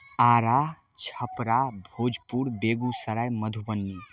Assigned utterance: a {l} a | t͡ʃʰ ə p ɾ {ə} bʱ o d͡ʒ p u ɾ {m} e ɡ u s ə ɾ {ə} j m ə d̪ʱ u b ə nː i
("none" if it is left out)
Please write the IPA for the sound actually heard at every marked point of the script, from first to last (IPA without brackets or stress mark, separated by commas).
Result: ɾ, a, b, a